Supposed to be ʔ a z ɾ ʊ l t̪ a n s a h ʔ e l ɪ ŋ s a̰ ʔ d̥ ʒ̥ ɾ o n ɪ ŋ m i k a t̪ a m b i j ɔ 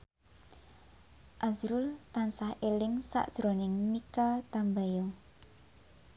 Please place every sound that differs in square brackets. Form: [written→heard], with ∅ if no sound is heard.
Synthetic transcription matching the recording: ʔ a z ɾ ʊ l t̪ a n s a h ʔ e l ɪ ŋ s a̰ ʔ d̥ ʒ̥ ɾ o n ɪ ŋ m i k a t̪ a m b [i→a] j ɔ